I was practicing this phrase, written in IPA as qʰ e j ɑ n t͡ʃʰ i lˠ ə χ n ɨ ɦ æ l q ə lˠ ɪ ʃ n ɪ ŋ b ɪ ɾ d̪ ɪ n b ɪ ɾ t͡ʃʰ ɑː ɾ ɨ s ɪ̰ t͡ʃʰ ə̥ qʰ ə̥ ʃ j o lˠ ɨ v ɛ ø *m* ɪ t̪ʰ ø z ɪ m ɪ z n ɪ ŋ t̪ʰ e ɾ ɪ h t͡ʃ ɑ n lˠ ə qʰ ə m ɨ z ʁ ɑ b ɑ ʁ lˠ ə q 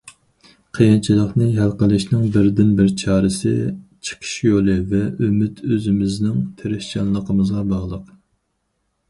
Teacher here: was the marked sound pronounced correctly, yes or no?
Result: yes